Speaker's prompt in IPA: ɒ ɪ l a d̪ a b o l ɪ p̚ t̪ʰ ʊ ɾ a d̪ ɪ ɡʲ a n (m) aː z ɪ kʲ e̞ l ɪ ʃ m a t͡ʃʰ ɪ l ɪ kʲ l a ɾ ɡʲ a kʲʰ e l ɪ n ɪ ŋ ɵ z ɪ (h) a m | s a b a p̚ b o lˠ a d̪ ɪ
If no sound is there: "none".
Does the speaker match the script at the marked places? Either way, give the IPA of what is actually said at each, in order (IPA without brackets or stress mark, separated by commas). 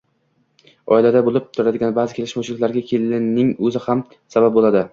b, h